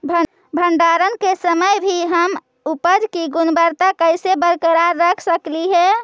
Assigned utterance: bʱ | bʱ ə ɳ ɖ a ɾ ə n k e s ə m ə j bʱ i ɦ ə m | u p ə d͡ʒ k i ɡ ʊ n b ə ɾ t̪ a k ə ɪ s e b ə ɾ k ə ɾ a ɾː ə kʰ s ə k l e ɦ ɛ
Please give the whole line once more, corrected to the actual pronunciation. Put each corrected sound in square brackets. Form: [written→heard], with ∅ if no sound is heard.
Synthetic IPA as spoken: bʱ | bʱ ə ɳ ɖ a ɾ ə n k e s ə m ə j bʱ i ɦ ə m | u p ə d͡ʒ k i ɡ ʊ n b ə ɾ t̪ a k ə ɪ s e b ə ɾ k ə ɾ a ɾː ə kʰ s ə k l [e→i] ɦ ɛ